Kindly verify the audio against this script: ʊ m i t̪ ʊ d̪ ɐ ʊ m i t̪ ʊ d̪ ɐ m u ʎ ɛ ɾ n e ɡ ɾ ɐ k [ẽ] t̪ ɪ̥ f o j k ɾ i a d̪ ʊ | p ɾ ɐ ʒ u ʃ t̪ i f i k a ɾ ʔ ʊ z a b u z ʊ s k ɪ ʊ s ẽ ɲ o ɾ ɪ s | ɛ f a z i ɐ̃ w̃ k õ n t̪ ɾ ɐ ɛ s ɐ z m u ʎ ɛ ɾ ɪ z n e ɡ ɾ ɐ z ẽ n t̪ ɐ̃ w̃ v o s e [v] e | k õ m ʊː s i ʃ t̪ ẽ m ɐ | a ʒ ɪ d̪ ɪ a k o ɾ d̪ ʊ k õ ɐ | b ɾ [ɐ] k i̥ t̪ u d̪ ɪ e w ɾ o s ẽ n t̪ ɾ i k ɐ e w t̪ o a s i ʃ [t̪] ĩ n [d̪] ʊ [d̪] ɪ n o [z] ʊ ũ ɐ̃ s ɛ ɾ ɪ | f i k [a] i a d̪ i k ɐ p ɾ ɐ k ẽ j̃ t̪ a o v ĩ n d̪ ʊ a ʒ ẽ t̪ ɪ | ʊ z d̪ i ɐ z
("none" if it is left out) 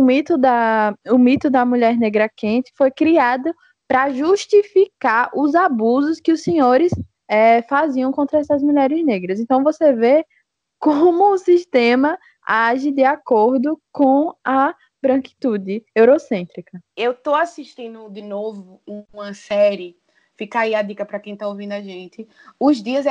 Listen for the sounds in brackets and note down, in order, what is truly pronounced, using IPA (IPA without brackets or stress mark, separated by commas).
ẽ, v, ɐ̃, t̪, d̪, d̪, v, a